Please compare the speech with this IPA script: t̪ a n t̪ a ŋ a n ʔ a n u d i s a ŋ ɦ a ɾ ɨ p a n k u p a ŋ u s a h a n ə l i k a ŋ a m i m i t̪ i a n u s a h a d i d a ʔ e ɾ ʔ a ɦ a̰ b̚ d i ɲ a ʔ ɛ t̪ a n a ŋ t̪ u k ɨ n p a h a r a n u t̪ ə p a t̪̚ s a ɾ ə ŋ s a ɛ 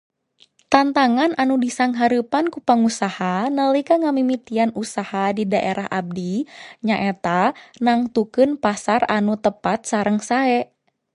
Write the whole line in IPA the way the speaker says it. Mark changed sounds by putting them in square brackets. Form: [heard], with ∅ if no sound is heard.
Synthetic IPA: t̪ a n t̪ a ŋ a n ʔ a n u d i s a ŋ ɦ a ɾ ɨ p a n k u p a ŋ u s a h a n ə l i k a ŋ a m i m i t̪ i a n u s a h a d i d a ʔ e ɾ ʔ a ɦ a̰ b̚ d i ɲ a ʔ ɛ t̪ a n a ŋ t̪ u k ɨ n p a [s] a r a n u t̪ ə p a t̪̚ s a ɾ ə ŋ s a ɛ